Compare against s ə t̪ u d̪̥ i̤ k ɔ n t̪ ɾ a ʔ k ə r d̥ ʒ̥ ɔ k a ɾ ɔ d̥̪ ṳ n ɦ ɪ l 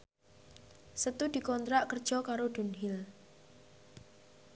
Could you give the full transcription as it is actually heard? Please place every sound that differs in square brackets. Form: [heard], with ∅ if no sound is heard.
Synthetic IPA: s ə t̪ u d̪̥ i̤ k ɔ n t̪ ɾ a ʔ k ə r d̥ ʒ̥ ɔ k a ɾ [o] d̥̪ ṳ n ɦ ɪ l